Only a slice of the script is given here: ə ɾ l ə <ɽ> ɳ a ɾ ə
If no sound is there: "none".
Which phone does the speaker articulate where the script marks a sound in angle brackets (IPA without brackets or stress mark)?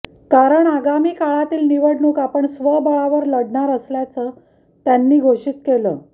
ɽ